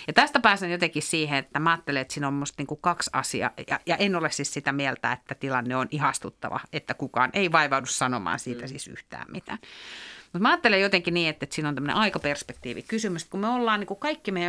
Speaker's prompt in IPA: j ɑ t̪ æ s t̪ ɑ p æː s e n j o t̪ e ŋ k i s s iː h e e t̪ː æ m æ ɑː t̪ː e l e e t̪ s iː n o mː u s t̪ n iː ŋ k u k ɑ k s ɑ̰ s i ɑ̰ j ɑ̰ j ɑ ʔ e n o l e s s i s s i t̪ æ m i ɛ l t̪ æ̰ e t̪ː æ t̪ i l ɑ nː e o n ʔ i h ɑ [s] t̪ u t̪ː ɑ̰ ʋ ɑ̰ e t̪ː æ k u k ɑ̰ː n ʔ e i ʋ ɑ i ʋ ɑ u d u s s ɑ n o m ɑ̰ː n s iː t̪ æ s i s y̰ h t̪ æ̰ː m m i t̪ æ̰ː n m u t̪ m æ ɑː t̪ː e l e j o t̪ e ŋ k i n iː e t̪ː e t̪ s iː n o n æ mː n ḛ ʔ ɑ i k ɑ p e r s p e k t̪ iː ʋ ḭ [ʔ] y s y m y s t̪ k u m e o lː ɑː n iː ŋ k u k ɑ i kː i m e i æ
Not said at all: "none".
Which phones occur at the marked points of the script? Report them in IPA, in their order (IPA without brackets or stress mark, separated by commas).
s, k